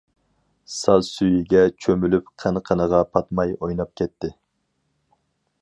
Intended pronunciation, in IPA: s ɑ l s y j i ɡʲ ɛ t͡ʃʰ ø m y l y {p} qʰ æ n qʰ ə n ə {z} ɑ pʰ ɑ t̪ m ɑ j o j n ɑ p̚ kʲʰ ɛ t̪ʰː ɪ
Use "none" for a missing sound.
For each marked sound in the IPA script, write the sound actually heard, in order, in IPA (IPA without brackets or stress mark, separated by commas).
p, ʁ